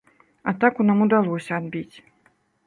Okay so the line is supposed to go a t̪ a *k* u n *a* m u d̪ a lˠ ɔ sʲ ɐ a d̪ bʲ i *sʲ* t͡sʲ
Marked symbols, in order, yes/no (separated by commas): yes, yes, no